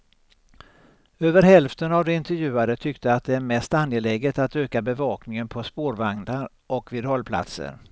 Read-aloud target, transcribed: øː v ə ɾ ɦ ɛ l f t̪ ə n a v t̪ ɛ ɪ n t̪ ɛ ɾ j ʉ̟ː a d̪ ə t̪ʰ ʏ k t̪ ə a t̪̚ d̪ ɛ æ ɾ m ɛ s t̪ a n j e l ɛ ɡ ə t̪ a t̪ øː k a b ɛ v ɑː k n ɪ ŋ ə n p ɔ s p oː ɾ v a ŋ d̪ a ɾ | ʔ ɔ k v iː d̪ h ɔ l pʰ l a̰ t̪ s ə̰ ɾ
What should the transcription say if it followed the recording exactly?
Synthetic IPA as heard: øː v ə ɾ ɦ ɛ l f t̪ ə n a v d̪ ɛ ɪ n t̪ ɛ ɾ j ʉ̟ː a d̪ ə t̪ʰ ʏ k t̪ ə a t̪̚ d̪ ɛ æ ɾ m ɛ s t̪ a n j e l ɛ ɡ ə t̪ a t̪ øː k a b ɛ v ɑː k n ɪ ŋ ə n pʰ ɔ s p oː ɾ v a ŋ d̪ a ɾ | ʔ ɔ k v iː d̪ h ɔ l pʰ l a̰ t̪ s ə̰ ɾ

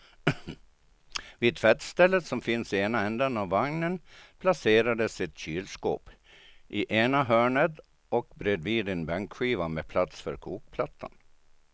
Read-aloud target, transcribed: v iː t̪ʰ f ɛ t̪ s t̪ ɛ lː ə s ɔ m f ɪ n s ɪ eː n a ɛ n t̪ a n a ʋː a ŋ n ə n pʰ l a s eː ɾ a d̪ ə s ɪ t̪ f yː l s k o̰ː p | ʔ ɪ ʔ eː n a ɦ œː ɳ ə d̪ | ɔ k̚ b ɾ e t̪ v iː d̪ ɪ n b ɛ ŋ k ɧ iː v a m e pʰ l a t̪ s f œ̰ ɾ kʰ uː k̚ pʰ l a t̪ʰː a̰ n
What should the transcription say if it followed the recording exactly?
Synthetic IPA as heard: v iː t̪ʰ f ɛ t̪ s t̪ ɛ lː ə s ɔ m f ɪ n s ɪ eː n a ɛ n d̪ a n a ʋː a ŋ n ə n pʰ l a s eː ɾ a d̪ ə s ɪ t̪ ɕ yː l s k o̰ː p | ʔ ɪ ʔ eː n a ɦ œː ɳ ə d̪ | ɔ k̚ b ɾ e d̪ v iː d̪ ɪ n b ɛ ŋ k ɧ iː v a m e pʰ l a t̪ s f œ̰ ɾ kʰ uː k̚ pʰ l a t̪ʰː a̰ n

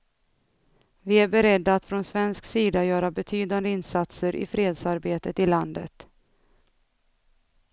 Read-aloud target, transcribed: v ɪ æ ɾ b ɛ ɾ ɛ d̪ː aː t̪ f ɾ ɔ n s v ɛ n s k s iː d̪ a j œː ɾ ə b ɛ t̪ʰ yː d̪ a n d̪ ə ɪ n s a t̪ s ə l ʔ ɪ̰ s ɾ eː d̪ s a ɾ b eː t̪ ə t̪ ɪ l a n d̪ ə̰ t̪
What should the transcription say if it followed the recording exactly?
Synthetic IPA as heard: v ɪ æ ɾ b ɛ ɾ ɛ d̪ː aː t̪ f ɾ ɔ n s v ɛ n s k s iː d̪ a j œː ɾ a b ɛ t̪ʰ yː d̪ a n d̪ ə ɪ n s a t̪ s ə ɾ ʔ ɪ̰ f ɾ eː d̪ s a ɾ b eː t̪ ə t̪ ɪ l a n d̪ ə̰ t̪

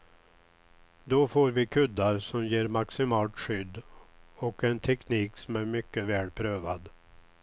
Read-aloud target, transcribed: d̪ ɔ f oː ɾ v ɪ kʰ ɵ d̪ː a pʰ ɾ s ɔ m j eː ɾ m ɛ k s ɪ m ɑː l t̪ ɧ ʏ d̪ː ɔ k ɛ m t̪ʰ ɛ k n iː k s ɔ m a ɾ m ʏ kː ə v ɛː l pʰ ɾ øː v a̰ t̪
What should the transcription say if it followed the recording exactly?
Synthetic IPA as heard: d̪ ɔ f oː ɾ v ɪ kʰ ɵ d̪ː a ɾ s ɔ m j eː ɾ m a k s ɪ m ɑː l t̪ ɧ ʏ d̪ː ɔ k ɛ n t̪ʰ ɛ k n iː k s ɔ m æ ɾ m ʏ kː ə v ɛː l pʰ ɾ øː v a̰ d̪

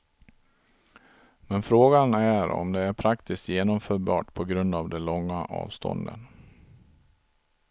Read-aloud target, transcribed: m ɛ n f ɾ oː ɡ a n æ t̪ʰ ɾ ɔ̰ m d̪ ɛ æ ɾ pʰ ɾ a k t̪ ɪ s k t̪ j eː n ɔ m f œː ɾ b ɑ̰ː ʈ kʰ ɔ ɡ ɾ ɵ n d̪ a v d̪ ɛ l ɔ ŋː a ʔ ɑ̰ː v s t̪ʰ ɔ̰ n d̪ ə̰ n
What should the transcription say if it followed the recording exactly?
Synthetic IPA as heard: m ɛ n f ɾ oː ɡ a n æ ɾ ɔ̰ m d̪ ɛ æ ɾ pʰ ɾ a k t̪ ɪ s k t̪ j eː n ɔ m f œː ɾ b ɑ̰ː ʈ pʰ ɔ ɡ ɾ ɵ n d̪ a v d̪ ɛ l ɔ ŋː a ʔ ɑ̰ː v s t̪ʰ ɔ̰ n d̪ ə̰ n

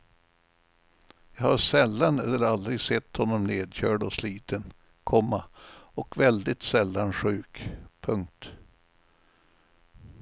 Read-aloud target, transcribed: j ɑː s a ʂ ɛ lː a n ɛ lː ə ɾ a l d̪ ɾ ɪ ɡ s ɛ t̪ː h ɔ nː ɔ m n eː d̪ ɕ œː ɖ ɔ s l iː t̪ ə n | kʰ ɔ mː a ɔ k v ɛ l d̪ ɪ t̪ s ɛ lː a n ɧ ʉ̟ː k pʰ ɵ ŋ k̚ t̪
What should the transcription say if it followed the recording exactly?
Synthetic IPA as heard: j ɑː h a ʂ ɛ lː a n ɛ lː ə ɾ a l d̪ ɾ ɪ ɡ s ɛ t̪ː h ɔ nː ɔ m n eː d̪ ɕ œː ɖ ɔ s l iː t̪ ə n | kʰ ɔ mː a ɔ k v ɛ l d̪ ɪ t̪ s ɛ lː a n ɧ ʉ̟ː k pʰ ɵ ŋ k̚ t̪

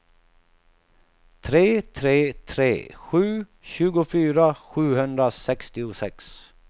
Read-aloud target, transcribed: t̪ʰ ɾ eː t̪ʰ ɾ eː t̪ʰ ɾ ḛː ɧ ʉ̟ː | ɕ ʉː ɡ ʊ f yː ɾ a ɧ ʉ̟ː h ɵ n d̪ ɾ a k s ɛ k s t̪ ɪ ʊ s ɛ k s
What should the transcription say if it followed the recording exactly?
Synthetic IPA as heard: t̪ʰ ɾ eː t̪ʰ ɾ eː t̪ʰ ɾ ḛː ɧ ʉ̟ː | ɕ ʉː ɡ ʊ f yː ɾ a ɧ ʉ̟ː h ɵ n d̪ ɾ a s ɛ k s t̪ ɪ ʊ s ɛ k s

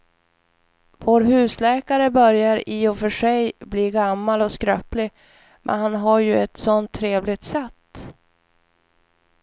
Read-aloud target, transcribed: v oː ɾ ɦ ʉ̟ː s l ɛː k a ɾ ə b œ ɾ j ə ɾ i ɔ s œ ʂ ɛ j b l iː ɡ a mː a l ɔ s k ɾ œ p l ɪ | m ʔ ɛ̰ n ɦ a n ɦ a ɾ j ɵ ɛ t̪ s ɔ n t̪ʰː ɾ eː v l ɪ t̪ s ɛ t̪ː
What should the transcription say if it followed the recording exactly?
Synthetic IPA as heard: v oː ɾ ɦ ʉ̟ː s l ɛː k a ɾ ə b œ ɾ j a ɾ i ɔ f œ ʂ ɛ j b l iː ɡ a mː a l ɔ s k ɾ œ p l ɪ | m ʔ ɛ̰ n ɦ a n ɦ a ɾ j ɵ ɛ t̪ s ɔ n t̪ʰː ɾ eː v l ɪ t̪ s ɛ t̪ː

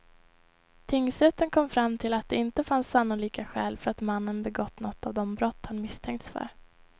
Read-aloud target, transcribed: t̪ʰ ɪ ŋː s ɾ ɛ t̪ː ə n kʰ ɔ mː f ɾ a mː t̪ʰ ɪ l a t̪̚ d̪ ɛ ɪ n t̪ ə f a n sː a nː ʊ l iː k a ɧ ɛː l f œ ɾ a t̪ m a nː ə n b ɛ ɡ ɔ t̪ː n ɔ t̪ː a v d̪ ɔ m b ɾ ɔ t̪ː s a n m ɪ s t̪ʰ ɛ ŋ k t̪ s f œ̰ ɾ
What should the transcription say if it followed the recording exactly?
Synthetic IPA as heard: t̪ʰ ɪ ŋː s ɾ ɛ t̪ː ə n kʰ ɔ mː f ɾ a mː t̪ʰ ɪ l a t̪̚ d̪ ɛ ɪ n t̪ ə f a n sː a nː ʊ l iː k a ɧ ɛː l f œ ɾ a t̪ m a nː ə n b ɛ ɡ ɔ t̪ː n ɔ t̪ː a v d̪ ɔ m b ɾ ɔ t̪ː h a n m ɪ s t̪ʰ ɛ ŋ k t̪ s f œ̰ ɾ

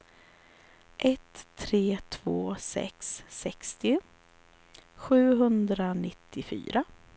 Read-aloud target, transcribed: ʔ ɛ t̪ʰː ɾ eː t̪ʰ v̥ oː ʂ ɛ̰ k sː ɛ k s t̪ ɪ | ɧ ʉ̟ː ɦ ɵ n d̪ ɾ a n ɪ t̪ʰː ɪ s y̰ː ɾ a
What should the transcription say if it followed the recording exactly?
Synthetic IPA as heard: ʔ ɛ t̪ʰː ɾ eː t̪ʰ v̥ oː s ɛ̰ k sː ɛ k s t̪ ɪ | ɧ ʉ̟ː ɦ ɵ n d̪ ɾ a n ɪ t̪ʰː ɪ f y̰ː ɾ a

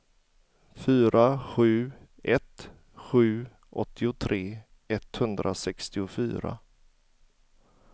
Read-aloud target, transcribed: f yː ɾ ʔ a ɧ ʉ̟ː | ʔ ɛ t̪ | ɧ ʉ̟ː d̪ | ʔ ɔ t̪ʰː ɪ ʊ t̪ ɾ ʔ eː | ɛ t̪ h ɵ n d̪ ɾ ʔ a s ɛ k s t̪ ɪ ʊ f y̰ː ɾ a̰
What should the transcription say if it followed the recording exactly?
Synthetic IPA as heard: f yː ɾ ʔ a ɧ ʉ̟ː | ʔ ɛ t̪ | ɧ ʉ̟ː | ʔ ɔ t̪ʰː ɪ ʊ t̪ʰ ɾ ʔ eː | ɛ t̪ h ɵ n d̪ ɾ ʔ a s ɛ k s t̪ ɪ ʊ f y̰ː ɾ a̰

